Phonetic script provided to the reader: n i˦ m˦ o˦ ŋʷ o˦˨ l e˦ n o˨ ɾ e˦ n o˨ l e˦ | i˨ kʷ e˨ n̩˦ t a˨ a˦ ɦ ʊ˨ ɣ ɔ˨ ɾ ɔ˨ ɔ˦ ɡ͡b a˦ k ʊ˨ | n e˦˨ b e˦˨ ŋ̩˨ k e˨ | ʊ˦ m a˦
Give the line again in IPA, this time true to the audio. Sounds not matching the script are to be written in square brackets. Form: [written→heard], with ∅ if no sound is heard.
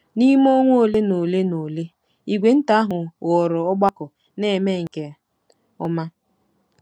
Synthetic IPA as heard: n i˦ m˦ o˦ ŋʷ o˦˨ l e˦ n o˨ [ɾ→l] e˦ n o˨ l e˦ | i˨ [kʷ→ɡʷ] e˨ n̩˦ t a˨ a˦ ɦ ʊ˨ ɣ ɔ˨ ɾ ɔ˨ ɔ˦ ɡ͡b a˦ k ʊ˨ | n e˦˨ [b→m] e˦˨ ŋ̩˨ k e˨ | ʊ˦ m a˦